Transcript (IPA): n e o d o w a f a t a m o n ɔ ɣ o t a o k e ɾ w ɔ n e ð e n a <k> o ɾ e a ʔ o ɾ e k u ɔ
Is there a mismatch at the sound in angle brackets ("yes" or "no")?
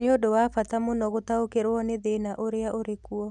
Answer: yes